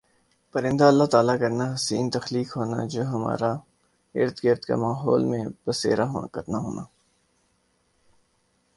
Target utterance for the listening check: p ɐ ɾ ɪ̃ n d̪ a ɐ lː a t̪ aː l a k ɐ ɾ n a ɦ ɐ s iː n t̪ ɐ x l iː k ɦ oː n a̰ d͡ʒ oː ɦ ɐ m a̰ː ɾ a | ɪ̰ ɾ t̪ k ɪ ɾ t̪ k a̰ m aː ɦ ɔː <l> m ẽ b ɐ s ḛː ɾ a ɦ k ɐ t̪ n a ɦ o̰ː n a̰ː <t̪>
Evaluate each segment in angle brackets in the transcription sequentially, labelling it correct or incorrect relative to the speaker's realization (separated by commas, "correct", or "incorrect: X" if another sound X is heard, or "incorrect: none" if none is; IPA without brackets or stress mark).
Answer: correct, incorrect: none